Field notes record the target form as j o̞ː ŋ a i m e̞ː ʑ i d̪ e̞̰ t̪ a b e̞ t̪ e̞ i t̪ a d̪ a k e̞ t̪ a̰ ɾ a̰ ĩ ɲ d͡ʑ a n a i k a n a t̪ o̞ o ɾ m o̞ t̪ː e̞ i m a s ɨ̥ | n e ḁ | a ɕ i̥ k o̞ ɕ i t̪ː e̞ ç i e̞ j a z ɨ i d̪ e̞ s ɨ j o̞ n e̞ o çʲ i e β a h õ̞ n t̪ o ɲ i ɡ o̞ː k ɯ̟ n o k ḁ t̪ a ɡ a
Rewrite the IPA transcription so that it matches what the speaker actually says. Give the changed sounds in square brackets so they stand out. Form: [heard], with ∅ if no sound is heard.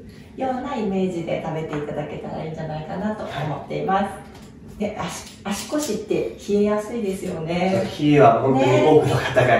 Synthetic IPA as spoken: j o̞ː [n] a i m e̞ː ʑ i d̪ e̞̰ t̪ a b e̞ t̪ e̞ i t̪ a d̪ a k e̞ t̪ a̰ ɾ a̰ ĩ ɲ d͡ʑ a n a i k a n a t̪ o̞ o [∅] m o̞ t̪ː e̞ i m a s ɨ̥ | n e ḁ | a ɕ i̥ k o̞ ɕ i t̪ː e̞ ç i e̞ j a [s] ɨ i d̪ e̞ s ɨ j o̞ n e̞ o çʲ i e β a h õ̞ n t̪ o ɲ i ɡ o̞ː k ɯ̟ n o k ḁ t̪ a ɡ a